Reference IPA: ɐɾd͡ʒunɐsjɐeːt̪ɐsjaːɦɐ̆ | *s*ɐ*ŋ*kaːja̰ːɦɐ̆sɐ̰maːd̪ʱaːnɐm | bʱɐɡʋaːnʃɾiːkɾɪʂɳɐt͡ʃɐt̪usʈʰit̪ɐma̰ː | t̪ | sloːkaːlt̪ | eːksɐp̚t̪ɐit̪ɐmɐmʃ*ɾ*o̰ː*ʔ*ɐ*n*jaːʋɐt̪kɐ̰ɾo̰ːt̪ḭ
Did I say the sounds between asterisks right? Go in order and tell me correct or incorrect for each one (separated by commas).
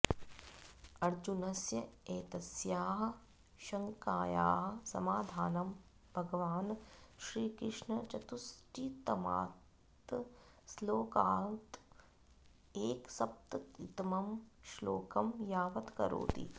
incorrect, correct, incorrect, incorrect, incorrect